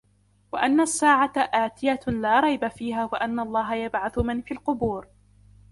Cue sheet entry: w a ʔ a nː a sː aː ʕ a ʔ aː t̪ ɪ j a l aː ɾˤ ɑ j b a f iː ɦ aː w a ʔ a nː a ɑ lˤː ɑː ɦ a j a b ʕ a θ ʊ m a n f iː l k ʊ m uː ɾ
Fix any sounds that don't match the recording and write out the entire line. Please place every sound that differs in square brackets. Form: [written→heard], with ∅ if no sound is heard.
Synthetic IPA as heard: w a ʔ a nː a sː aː ʕ a ʔ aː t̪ ɪ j a l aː ɾˤ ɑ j b a f iː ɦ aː w a ʔ a nː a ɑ lˤː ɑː ɦ a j a b ʕ a θ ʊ m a n f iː l [k→q] ʊ [m→b] uː ɾ